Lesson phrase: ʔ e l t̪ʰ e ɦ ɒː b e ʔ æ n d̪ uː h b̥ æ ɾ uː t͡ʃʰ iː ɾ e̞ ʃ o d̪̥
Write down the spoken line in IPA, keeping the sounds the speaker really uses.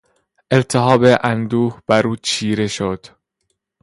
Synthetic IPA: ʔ e l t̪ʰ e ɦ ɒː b e ʔ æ n d̪ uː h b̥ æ ɾ uː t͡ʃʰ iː ɾ e̞ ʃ o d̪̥